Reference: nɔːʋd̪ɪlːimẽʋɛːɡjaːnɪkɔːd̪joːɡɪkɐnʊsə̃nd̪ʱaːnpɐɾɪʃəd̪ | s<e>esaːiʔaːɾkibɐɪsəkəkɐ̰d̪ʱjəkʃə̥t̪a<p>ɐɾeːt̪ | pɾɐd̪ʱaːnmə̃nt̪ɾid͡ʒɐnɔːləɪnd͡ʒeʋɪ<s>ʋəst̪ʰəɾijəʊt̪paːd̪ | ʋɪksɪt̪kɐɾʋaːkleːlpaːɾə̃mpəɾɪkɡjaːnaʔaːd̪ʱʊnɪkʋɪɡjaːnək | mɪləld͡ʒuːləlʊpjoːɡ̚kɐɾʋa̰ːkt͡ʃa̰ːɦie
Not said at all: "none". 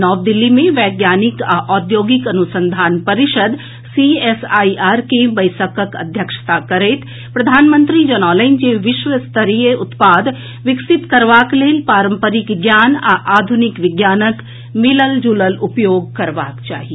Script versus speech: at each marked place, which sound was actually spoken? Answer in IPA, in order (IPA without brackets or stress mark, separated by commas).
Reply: i, k, ʃ